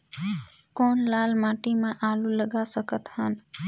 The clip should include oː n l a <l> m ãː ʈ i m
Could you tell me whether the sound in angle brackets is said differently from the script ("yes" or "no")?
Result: no